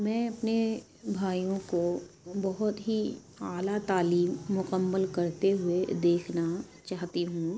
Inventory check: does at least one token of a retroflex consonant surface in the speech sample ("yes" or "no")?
no